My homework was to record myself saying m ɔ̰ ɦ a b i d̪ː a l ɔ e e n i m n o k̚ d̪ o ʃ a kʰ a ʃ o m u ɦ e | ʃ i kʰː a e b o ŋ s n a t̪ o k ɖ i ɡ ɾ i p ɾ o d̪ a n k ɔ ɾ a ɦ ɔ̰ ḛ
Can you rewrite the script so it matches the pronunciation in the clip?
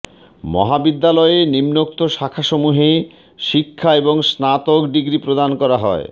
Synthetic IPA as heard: m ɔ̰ ɦ a b i d̪ː a l ɔ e e n i m n o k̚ t̪ o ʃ a kʰ a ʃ o m u ɦ e | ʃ i kʰː a e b o ŋ s n a t̪ o k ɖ i ɡ ɾ i p ɾ o d̪ a n k ɔ ɾ a ɦ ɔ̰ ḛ